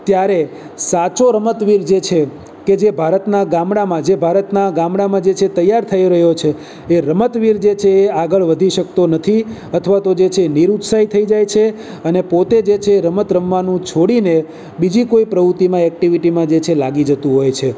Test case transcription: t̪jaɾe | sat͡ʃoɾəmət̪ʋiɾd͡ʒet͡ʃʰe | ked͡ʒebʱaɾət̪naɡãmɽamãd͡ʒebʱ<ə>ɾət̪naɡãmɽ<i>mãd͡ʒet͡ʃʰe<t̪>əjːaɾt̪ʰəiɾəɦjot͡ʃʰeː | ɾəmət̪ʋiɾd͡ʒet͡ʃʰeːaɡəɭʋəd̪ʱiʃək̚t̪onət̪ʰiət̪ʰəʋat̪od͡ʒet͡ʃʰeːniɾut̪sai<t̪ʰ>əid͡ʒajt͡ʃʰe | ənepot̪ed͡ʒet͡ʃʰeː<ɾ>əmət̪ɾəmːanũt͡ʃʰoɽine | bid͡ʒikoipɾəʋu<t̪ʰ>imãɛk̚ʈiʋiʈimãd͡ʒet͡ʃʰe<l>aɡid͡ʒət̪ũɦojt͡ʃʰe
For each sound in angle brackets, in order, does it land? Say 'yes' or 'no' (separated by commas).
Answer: no, no, yes, yes, yes, no, yes